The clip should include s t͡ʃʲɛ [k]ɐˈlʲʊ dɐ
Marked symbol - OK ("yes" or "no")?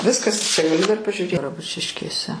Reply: no